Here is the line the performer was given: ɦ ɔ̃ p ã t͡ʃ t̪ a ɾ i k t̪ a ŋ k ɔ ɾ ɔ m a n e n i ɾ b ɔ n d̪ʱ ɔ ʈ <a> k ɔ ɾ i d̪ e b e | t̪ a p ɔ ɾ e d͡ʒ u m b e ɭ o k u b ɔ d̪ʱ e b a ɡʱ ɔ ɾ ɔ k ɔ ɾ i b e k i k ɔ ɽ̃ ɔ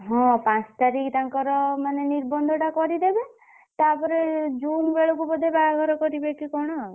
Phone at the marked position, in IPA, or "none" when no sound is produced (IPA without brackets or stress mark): a